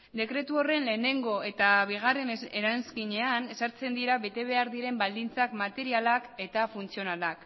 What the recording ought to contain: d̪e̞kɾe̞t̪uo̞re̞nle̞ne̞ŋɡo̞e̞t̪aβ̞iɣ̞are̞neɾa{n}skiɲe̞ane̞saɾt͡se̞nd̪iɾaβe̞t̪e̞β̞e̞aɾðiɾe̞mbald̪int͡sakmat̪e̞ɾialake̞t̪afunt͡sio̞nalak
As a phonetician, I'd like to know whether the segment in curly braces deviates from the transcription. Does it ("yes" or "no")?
no